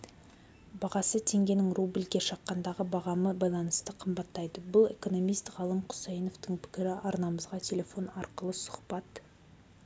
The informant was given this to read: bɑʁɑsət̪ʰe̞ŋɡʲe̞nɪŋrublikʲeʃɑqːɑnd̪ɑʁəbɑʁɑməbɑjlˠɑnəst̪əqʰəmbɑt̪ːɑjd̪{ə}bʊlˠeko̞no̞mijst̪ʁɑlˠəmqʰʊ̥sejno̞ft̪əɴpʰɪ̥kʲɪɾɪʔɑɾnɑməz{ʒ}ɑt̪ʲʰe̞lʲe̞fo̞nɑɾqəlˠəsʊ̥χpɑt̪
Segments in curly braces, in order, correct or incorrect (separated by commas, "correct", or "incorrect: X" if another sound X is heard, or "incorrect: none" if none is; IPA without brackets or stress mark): correct, incorrect: ʁ